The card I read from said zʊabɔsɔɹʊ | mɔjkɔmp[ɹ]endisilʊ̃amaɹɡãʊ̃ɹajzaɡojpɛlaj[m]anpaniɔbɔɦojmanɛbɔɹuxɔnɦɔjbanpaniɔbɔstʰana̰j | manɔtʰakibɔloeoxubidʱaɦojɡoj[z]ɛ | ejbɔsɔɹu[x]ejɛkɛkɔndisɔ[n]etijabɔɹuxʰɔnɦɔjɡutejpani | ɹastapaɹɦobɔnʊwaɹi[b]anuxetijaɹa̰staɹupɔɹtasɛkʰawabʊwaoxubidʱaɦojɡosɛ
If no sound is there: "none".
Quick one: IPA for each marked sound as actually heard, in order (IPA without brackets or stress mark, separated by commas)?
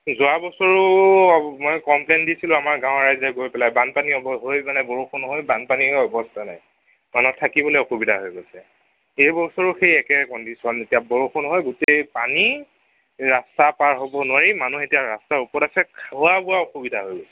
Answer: l, b, s, x, n, m